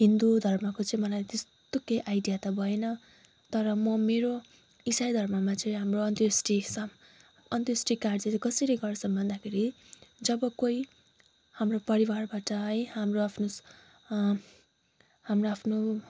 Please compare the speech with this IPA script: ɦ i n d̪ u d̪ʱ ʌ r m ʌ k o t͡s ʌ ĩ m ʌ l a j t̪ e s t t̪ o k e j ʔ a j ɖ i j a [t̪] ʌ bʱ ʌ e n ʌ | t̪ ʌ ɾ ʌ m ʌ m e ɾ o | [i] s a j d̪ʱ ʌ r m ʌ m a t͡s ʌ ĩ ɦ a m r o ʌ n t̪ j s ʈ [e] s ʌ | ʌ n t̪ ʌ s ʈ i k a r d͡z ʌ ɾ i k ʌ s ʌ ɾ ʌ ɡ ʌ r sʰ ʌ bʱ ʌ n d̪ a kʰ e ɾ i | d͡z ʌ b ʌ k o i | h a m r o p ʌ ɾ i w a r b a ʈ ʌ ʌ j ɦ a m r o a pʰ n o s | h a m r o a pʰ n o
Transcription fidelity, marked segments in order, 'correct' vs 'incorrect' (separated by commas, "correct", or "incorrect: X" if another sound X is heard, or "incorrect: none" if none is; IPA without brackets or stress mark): correct, correct, incorrect: i